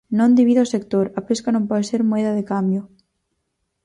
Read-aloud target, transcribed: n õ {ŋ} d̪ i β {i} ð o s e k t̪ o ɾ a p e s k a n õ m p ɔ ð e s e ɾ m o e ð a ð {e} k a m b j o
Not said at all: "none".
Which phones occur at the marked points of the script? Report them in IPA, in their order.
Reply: n, i, e

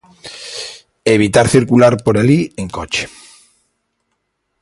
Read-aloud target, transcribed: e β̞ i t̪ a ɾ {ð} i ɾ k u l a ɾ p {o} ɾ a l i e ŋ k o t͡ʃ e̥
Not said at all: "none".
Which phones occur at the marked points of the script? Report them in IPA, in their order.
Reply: θ, o

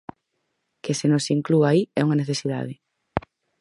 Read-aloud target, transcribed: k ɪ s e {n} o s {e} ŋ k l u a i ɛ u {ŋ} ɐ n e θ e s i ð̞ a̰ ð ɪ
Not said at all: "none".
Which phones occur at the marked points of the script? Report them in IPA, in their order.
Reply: n, i, ŋ

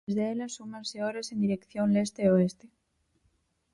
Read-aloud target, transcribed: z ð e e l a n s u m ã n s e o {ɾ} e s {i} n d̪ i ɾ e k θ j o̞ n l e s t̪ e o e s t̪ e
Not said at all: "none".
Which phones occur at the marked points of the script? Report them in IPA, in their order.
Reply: ɾ, e

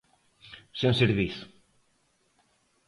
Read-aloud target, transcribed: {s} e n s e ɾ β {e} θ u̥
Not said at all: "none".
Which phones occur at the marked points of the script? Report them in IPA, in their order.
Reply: s, i

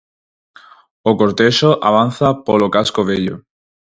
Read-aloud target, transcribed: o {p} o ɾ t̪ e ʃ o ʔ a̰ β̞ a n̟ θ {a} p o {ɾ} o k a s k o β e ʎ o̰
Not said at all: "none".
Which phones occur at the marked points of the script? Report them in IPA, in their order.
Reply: k, a, l

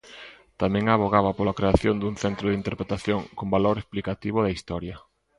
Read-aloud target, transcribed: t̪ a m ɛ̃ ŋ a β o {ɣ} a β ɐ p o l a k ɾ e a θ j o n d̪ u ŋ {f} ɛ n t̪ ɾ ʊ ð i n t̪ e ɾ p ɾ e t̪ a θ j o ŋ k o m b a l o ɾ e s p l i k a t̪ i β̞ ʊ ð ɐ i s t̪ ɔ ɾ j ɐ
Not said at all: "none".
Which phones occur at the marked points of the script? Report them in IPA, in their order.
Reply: ɣ, θ

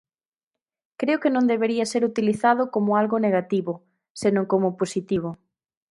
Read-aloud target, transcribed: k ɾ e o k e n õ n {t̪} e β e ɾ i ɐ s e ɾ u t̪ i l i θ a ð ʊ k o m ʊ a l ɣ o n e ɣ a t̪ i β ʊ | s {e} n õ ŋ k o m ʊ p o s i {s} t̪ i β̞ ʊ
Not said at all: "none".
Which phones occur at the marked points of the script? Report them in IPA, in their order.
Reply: d̪, e, none

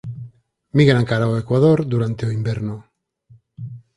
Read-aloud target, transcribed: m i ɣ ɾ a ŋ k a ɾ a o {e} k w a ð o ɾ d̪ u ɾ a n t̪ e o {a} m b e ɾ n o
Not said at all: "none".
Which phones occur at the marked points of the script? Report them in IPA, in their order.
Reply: e, i

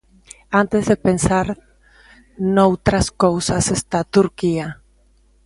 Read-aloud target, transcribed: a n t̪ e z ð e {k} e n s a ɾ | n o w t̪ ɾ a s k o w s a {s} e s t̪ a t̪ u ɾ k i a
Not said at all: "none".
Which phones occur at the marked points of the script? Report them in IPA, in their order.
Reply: p, s

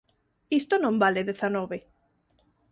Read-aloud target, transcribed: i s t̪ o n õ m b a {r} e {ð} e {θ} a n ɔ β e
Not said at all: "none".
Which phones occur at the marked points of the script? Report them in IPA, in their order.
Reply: l, ð, θ

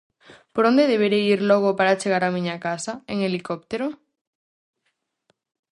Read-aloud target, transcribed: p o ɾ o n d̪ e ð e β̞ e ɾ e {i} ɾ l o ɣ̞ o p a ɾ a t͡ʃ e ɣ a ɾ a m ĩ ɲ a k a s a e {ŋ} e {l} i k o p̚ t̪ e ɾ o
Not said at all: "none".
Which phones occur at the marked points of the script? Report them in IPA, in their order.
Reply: i, ŋ, l

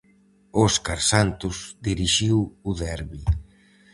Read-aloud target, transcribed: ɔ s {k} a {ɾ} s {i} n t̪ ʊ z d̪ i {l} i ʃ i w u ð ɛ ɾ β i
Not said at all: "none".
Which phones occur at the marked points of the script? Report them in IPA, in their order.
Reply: k, ɾ, a, ɾ

